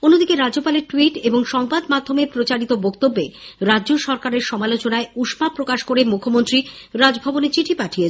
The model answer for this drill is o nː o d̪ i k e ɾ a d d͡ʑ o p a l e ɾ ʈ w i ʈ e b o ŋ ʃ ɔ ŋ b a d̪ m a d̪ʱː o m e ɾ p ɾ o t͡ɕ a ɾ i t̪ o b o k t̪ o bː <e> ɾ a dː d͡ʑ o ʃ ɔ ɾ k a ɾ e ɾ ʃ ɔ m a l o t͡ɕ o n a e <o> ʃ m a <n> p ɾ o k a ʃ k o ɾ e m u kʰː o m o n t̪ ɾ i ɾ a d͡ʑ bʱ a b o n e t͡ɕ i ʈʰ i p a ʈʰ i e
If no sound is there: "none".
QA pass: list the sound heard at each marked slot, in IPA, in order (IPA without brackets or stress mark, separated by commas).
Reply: e, u, none